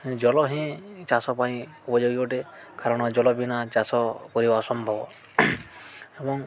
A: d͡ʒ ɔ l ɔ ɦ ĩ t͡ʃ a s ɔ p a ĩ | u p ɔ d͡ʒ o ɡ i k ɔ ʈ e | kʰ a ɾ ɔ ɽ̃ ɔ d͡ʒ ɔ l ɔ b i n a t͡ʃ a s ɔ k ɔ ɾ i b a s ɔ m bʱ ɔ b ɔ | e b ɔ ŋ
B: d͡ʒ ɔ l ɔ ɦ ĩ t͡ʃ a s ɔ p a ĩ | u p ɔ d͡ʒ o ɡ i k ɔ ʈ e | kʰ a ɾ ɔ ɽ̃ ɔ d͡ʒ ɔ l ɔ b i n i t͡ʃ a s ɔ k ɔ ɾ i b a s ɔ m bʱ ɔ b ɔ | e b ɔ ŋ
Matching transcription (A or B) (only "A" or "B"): A